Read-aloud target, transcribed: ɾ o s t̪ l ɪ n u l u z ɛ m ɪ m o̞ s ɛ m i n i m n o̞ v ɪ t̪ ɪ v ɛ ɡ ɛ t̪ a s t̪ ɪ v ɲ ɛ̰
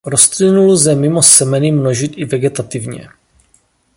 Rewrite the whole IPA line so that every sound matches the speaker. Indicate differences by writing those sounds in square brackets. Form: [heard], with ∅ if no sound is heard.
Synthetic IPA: ɾ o s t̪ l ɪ n u l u z ɛ m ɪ m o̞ s ɛ m [ɛ] n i m n o̞ [ʒ] ɪ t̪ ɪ v ɛ ɡ ɛ t̪ a [∅] t̪ ɪ v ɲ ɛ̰